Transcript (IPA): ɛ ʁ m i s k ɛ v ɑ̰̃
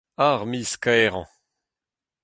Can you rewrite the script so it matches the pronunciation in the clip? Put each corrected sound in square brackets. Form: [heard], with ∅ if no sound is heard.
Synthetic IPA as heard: [a] ʁ m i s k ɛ [ʁ] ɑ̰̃